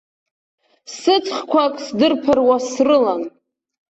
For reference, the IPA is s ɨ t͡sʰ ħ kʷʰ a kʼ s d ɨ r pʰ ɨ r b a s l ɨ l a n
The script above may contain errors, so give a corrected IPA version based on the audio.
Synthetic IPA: s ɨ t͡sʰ χ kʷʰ a kʼ s d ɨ r pʰ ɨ r w a s r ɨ l a n